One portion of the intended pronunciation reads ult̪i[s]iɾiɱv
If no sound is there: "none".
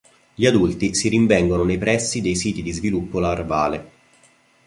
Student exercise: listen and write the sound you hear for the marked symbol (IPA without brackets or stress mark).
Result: s